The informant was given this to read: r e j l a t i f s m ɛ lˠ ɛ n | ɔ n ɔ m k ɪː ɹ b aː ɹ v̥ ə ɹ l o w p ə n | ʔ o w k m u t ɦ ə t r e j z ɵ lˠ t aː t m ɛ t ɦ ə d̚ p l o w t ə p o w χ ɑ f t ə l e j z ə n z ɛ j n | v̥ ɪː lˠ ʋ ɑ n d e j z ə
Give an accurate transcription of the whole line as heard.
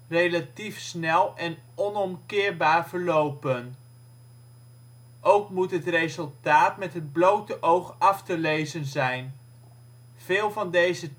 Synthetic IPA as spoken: r e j l a t i f s n ɛ lˠ ɛ n | ɔ n ɔ m k ɪː ɹ b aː ɹ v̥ ə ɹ l o w p ə n | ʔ o w k m u t ɦ ə t r e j z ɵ lˠ t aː t m ɛ t ɦ ə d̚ b l o w t ə ʔ o w χ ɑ f t ə l e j z ə n z ɛ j n | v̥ ɪː lˠ v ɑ n d e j z ə

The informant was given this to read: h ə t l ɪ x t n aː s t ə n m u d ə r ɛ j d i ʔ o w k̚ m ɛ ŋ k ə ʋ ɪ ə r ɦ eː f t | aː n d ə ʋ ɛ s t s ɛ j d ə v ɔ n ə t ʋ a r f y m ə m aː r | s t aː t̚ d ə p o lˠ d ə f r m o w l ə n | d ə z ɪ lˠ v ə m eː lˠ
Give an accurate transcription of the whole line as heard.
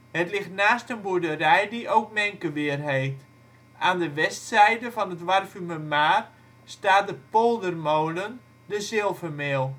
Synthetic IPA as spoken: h ə t l ɪ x t n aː s t ə n b u d ə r ɛ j d i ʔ o w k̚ m ɛ ŋ k ə ʋ ɪ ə r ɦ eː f t | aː n d ə ʋ ɛ s t s ɛ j d ə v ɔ n ə t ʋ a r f y m ə m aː r | s t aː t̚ d ə p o lˠ d ə r m o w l ə n | d ə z ɪ lˠ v ə m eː lˠ

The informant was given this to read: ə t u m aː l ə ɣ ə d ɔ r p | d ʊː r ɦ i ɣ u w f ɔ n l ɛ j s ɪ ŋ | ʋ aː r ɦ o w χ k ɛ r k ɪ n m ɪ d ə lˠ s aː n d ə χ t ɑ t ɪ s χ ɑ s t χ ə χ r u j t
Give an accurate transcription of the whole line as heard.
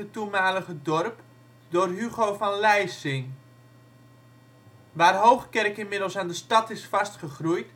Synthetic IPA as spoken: ə t u m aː l ə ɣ ə d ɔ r p | d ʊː r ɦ y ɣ o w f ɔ n l ɛ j s ɪ ŋ | ʋ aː r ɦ o w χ k ɛ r k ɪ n m ɪ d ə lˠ s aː n d ə s t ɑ t ɪ s f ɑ s t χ ə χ r u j t

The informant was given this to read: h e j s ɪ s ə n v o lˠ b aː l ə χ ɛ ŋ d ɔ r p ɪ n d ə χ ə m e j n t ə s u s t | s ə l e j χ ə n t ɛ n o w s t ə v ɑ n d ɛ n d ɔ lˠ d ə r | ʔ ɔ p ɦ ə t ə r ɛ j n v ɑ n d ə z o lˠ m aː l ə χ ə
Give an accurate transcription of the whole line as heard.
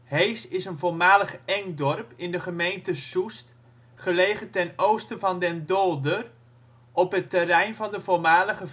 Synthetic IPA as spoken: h e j s ɪ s ə n v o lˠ m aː l ə χ ɛ ŋ d ɔ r p ɪ n d ə χ ə m e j n t ə s u s t | χ ə l e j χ ə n t ɛ n o w s t ə v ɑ n d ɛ n d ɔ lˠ d ə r | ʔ ɔ p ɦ ə t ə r ɛ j n v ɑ n d ə v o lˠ m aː l ə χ ə

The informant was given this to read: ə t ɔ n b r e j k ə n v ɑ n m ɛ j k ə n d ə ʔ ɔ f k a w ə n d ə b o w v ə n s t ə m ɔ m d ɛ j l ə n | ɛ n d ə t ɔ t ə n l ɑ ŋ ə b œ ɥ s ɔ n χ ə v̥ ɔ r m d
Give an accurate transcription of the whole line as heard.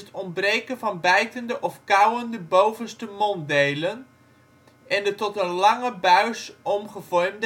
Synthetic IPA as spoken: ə t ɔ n b r e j k ə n v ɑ n b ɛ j t ə n d ə ʔ ɔ f k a w ə n d ə b o w v ə n s t ə m ɔ n d e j l ə n | ɛ n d ə t ɔ t ə n l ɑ ŋ ə b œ ɥ s ɔ m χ ə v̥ ɔ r m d

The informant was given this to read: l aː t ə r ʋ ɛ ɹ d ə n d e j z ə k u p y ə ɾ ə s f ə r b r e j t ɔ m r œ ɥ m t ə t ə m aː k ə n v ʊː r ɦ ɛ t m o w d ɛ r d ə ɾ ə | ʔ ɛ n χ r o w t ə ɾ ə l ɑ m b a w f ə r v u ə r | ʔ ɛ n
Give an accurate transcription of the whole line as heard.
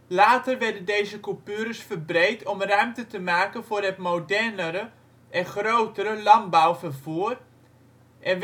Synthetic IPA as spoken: l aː t ə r ʋ ɛ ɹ d ə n d e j z ə k u p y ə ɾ ə s f ə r b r e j t ɔ m r œ ɥ m t ə t ə m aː k ə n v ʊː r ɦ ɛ t m o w d ɛ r n ə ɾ ə | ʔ ɛ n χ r o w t ə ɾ ə l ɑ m b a w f ə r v u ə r | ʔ ɛ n

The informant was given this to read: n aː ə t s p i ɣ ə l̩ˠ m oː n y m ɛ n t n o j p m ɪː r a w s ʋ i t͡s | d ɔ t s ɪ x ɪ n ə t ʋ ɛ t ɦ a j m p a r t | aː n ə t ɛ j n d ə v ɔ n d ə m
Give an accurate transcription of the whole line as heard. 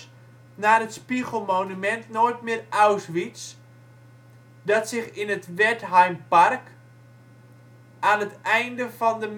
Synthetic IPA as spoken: n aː ə t s p i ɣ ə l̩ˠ m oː n y m ɛ n t n o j t m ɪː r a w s ʋ i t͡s | d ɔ t s ɪ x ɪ n ə t ʋ ɛ t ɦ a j m p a r k | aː n ə t ɛ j n d ə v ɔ n d ə m

